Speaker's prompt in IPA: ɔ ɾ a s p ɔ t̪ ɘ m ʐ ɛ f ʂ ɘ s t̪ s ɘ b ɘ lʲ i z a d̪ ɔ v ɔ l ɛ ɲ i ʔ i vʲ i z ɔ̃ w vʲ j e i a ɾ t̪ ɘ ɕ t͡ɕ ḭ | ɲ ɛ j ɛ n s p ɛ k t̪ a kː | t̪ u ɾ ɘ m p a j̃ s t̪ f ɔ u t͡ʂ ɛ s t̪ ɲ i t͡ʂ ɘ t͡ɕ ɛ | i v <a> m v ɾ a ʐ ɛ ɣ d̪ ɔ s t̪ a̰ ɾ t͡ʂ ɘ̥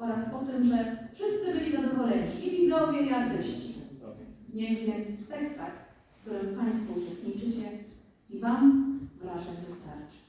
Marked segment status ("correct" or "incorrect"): correct